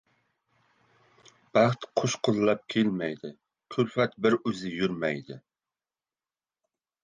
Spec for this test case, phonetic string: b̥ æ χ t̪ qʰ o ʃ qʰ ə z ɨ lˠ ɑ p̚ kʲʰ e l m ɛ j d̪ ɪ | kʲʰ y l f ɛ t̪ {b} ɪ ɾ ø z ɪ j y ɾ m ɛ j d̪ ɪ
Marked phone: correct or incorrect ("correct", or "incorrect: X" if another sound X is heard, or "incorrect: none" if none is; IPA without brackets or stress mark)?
correct